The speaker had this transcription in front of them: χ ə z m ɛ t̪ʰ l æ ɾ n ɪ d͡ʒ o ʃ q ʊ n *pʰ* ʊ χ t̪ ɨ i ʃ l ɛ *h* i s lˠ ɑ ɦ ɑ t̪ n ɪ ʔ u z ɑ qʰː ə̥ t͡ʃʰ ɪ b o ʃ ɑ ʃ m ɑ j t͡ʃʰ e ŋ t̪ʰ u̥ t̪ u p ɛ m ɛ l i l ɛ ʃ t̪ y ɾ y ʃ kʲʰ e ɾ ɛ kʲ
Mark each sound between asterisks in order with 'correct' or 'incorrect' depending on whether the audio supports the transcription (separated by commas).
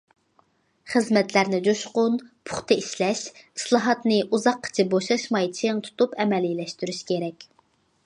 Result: correct, incorrect